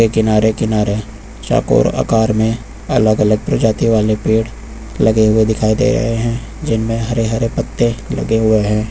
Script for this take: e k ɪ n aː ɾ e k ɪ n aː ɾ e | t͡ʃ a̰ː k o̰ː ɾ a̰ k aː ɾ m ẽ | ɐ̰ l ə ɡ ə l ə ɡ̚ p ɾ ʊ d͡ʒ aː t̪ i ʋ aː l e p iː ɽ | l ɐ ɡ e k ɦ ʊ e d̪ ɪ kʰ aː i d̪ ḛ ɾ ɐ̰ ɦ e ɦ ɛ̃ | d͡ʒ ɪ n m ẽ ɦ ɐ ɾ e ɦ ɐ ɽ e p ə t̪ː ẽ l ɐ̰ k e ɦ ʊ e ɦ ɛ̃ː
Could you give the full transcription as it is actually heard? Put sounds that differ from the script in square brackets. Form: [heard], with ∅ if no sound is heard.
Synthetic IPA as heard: e k ɪ n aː ɾ e k ɪ n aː ɾ e | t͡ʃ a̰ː k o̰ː ɾ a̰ k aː ɾ m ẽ | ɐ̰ l ə ɡ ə l ə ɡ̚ p ɾ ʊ d͡ʒ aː t̪ i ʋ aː l e p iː ɽ | l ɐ ɡ e [∅] ɦ ʊ e d̪ ɪ kʰ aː i d̪ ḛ ɾ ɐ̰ ɦ e ɦ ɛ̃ | d͡ʒ ɪ n m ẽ ɦ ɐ ɾ e ɦ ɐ [ɾ] e p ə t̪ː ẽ l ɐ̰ [ɡ] e ɦ ʊ e ɦ ɛ̃ː